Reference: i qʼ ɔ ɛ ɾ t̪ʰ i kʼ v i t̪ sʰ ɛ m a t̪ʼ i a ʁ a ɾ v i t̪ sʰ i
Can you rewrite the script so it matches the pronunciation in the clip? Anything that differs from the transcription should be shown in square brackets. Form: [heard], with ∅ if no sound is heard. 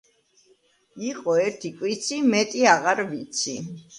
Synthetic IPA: i qʼ ɔ ɛ ɾ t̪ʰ i kʼ [w] i t̪ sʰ [i] m [ɛ] t̪ʼ i a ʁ a ɾ v i t̪ sʰ i